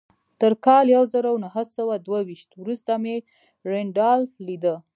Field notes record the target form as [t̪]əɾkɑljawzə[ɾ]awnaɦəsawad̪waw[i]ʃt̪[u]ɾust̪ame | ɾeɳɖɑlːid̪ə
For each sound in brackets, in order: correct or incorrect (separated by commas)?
correct, correct, correct, incorrect